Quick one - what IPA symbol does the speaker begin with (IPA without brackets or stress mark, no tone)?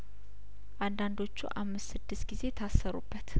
ʔ